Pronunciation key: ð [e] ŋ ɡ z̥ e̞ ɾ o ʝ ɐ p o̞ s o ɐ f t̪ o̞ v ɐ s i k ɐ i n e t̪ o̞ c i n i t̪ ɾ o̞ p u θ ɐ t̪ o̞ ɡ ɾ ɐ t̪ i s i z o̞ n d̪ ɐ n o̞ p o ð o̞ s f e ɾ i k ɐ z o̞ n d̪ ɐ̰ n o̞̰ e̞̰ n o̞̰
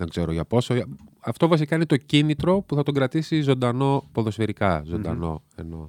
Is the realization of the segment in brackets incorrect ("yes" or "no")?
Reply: no